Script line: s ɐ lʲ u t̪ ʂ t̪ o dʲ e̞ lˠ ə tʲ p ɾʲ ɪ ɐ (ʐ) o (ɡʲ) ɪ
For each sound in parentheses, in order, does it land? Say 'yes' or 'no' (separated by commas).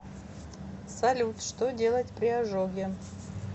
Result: yes, yes